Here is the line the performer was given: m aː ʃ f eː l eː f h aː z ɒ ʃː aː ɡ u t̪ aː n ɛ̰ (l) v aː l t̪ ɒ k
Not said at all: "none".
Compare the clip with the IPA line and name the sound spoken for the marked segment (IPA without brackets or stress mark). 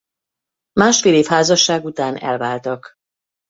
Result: l